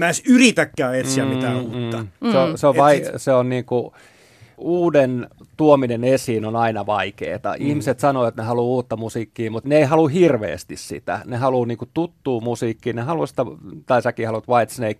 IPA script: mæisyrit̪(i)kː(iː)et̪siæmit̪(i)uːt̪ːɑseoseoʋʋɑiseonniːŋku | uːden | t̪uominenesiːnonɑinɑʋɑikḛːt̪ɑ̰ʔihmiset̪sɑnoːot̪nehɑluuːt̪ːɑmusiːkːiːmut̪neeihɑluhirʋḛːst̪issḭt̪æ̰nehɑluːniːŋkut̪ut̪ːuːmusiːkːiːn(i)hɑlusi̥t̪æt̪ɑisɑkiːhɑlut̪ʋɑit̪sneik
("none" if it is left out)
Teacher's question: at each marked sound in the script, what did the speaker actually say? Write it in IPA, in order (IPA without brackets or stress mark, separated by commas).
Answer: æ, æː, æ, e